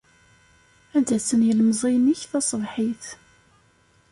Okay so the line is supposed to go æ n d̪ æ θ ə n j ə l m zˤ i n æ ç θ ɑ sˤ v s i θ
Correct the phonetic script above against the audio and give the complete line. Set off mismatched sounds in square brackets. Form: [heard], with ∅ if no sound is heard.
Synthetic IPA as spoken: æ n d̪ æ [s] ə n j ə l m zˤ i n [i] ç θ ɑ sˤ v [ħ] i θ